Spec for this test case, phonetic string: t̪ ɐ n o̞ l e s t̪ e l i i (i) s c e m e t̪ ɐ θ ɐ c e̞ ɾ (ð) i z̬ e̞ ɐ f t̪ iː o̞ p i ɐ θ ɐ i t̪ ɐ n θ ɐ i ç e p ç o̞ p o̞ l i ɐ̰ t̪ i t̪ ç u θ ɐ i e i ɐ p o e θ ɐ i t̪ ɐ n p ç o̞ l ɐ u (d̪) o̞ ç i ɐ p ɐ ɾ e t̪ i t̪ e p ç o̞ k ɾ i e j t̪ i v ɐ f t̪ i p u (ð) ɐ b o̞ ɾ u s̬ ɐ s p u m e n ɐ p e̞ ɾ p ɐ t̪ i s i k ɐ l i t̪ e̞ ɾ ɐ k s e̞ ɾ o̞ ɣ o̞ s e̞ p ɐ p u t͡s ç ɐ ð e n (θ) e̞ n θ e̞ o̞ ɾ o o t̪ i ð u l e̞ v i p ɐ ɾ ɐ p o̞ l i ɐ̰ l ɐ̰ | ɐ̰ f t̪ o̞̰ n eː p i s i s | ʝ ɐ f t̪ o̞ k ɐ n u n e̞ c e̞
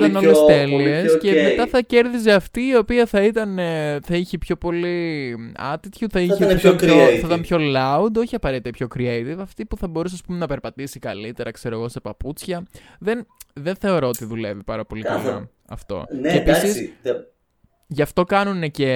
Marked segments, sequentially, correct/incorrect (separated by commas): incorrect, correct, correct, incorrect, incorrect